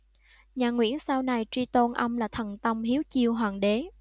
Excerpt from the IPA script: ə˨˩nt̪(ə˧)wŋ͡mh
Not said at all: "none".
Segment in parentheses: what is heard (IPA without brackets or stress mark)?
ə˧